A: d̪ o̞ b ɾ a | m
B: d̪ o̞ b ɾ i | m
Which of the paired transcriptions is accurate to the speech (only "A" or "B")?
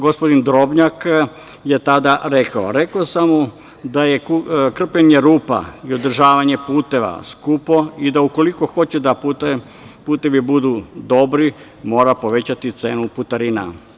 B